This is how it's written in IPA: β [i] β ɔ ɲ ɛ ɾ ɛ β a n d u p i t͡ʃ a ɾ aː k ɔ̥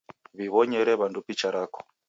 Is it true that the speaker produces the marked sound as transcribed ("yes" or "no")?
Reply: yes